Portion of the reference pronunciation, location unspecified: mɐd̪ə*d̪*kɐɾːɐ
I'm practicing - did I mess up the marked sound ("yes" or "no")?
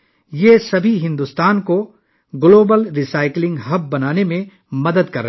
no